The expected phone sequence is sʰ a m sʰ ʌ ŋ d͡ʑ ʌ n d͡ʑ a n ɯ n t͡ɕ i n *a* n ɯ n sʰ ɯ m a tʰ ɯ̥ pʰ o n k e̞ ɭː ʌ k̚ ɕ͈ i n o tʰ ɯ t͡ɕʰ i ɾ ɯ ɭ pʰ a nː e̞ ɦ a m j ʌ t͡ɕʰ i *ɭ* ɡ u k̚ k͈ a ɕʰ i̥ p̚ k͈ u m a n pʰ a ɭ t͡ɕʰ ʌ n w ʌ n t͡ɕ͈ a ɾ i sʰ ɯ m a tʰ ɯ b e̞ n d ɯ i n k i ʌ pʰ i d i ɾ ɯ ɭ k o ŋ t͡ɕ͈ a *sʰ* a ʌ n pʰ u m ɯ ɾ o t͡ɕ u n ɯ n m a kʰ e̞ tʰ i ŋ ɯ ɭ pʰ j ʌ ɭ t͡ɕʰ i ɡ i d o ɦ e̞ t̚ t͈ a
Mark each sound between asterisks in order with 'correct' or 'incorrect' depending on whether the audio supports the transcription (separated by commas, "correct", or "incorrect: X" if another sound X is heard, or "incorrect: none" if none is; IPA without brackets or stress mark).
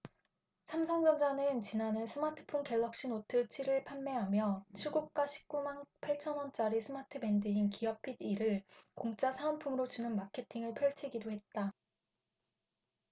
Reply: correct, correct, correct